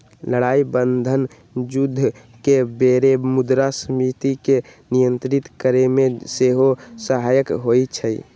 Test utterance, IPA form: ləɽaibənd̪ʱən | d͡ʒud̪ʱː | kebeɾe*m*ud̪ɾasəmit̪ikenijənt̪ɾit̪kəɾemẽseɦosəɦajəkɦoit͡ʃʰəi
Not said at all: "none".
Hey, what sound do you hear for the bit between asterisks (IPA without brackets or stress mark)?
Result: m